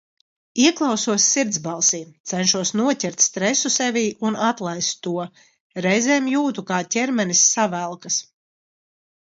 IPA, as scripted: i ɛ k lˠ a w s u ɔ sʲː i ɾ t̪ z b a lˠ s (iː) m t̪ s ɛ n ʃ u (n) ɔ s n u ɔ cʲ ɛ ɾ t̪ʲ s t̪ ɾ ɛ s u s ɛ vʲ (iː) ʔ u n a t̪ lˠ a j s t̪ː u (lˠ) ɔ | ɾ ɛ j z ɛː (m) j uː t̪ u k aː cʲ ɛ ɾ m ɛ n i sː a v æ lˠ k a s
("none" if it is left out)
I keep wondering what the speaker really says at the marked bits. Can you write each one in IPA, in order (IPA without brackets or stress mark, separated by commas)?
iː, none, iː, none, m